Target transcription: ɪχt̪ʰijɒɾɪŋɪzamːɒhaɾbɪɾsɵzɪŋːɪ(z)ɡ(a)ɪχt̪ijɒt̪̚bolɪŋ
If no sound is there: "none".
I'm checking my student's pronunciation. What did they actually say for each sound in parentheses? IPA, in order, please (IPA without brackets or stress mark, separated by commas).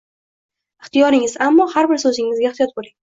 z, a